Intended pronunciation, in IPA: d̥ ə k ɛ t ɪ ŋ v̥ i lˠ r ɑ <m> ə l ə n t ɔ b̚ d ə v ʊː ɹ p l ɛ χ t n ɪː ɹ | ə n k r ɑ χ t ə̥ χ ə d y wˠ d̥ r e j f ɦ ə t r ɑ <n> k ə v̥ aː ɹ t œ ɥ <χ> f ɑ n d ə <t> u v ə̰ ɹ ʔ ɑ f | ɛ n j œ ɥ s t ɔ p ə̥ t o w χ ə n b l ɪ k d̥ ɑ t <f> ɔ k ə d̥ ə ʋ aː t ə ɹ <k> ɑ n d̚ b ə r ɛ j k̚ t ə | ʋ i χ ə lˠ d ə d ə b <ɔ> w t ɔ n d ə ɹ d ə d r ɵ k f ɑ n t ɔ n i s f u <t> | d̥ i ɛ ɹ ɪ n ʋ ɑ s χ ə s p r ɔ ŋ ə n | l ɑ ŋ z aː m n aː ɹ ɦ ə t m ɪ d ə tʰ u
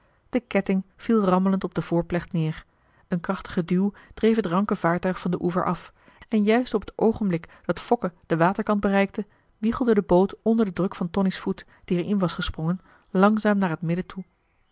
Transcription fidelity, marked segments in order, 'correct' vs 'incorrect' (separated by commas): correct, incorrect, correct, incorrect, correct, correct, incorrect, correct